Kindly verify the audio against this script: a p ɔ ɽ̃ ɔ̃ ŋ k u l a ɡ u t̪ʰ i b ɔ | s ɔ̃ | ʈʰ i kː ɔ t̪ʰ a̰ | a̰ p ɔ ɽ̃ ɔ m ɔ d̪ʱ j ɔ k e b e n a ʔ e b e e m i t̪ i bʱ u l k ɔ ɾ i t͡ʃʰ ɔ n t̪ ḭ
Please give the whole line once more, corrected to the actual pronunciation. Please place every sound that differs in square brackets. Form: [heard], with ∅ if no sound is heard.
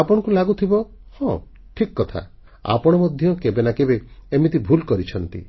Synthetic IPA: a p ɔ ɽ̃ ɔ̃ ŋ k u l a ɡ u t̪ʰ i b ɔ | [h] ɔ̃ | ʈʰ i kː ɔ t̪ʰ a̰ | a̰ p ɔ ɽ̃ ɔ m ɔ d̪ʱ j ɔ k e b e n a [k] e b e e m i t̪ i bʱ u l k ɔ ɾ i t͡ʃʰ ɔ n t̪ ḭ